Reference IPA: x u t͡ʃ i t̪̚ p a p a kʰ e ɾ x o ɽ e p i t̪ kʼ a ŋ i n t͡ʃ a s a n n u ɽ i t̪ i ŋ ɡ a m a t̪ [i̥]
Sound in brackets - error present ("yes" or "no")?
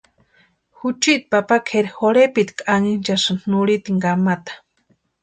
yes